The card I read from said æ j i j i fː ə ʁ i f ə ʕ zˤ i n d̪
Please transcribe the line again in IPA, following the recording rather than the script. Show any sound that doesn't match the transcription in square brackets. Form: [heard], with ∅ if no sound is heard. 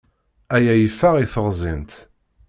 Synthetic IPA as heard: æ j [æ] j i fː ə ʁ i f ə [ʁ] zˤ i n [t̪]